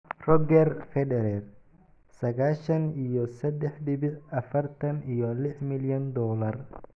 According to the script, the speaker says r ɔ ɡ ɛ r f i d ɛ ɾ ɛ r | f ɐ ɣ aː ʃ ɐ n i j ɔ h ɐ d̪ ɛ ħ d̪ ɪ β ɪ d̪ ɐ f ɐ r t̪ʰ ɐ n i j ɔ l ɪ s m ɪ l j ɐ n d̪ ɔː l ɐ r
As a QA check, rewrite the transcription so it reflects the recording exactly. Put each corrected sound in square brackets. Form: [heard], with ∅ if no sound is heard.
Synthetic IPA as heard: r ɔ ɡ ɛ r f [ɛ] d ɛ ɾ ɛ r | [s] ɐ ɣ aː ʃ ɐ n i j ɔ [s] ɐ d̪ ɛ ħ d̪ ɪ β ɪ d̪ ɐ f ɐ r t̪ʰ ɐ n i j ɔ l ɪ [ħ] m ɪ l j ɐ n d̪ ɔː l ɐ r